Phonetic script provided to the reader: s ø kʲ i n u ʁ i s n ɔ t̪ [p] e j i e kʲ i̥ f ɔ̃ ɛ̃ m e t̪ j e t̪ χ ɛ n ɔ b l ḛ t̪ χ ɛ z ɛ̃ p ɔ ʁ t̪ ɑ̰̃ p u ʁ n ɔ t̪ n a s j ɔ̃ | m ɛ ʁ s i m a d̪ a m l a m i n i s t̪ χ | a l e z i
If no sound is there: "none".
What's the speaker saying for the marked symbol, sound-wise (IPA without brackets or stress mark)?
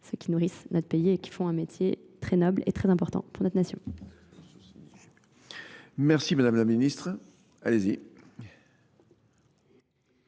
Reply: p